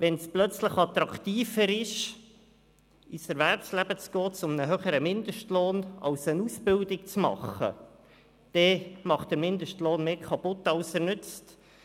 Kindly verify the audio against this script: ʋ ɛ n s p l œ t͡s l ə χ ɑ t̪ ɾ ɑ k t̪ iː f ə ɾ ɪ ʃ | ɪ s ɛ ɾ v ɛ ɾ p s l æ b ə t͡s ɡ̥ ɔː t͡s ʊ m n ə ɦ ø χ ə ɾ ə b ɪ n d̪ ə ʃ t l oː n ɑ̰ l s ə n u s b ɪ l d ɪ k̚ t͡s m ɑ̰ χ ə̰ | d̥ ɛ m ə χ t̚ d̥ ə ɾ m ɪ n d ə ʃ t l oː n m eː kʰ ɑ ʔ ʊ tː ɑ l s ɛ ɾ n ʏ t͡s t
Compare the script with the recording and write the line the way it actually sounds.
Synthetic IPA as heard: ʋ ɛ n s p l œ t͡s l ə χ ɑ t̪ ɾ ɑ k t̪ iː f ə ɾ ɪ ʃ | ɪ s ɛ ɾ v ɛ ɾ p s l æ b ə t͡s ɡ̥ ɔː t͡s ʊ m n ə ɦ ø χ ə ɾ ə m ɪ n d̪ ə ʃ t l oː n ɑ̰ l s ə n u s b ɪ l d ɪ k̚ t͡s m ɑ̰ χ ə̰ | d̥ ɛ m ɑ χ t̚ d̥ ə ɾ m ɪ n d ə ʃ t l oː n m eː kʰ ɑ p ʊ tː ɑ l s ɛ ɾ n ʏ t͡s t